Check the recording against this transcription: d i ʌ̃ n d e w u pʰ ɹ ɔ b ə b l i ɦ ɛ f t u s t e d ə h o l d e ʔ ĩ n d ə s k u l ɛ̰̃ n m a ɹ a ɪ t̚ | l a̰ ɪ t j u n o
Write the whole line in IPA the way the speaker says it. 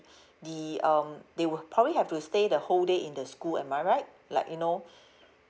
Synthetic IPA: d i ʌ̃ m d e w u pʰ ɹ ɔ b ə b l i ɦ ɛ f t u s t e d ə h o l d e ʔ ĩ n d ə s k u l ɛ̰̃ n m a ɹ a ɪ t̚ | l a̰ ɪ k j u n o